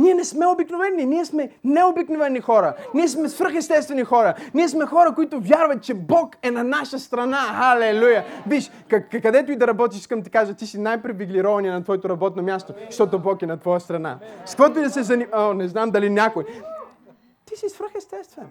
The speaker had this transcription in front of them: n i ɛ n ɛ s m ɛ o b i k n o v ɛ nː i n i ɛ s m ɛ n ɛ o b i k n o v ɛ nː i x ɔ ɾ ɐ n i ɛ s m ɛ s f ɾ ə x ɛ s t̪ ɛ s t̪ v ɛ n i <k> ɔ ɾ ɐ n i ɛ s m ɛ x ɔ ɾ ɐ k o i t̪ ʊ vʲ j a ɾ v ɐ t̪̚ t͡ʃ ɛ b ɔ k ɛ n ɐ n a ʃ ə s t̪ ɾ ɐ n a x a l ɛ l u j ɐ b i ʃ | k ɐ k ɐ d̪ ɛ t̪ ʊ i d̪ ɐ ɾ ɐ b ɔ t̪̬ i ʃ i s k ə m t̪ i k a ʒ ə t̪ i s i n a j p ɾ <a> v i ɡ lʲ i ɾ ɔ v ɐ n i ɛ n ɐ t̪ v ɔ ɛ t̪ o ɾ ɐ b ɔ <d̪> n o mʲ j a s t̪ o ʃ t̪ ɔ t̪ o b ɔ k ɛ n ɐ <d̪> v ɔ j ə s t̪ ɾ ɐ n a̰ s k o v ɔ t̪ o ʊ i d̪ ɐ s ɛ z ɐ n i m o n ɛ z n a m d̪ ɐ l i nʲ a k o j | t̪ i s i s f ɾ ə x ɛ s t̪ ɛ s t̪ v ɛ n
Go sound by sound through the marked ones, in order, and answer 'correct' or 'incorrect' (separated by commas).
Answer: incorrect, incorrect, incorrect, incorrect